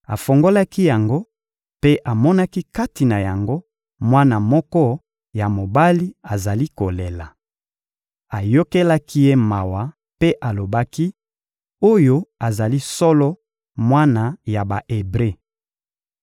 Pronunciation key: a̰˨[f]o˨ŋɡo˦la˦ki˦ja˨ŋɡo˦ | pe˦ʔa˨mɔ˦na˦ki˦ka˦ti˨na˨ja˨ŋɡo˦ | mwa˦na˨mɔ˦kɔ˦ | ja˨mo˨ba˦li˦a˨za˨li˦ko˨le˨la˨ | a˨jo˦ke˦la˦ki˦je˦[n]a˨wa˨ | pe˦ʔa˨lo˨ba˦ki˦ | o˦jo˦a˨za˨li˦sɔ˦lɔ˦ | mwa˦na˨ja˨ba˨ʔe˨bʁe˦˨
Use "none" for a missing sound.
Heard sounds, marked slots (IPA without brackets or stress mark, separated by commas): f, m